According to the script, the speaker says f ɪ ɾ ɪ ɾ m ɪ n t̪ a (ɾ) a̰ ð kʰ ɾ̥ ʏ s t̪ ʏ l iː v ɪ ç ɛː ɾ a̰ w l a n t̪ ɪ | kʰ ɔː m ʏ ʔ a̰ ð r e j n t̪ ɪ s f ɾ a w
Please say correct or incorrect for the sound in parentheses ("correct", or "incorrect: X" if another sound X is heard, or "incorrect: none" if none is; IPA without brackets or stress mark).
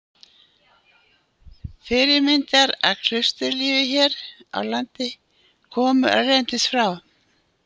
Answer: correct